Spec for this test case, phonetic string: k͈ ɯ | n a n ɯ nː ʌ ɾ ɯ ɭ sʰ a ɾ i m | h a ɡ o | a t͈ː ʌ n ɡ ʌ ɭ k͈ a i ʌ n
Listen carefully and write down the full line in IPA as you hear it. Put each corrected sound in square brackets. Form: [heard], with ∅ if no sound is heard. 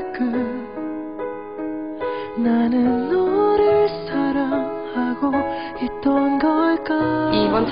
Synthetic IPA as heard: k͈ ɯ | n a n ɯ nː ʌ ɾ ɯ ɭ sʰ a ɾ [a] m | h a ɡ o | [i] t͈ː ʌ n ɡ ʌ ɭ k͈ a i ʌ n